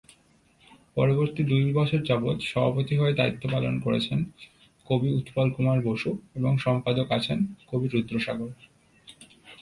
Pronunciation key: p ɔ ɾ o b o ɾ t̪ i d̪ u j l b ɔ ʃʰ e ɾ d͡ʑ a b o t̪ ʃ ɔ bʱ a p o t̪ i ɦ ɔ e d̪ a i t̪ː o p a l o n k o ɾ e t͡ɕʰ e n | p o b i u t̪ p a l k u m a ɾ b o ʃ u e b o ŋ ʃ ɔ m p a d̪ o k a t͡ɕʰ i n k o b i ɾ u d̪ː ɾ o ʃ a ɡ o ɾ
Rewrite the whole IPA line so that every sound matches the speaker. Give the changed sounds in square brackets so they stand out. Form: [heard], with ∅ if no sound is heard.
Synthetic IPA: p ɔ ɾ o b o ɾ t̪ i d̪ u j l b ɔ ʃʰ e ɾ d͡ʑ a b o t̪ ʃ ɔ bʱ a p o t̪ i ɦ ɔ e d̪ a i t̪ː o p a l o n k o ɾ e t͡ɕʰ e n | [k] o b i u t̪ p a l k u m a ɾ b o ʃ u e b o ŋ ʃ ɔ m p a d̪ o k a t͡ɕʰ [e] n k o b i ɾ u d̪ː ɾ o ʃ a ɡ o ɾ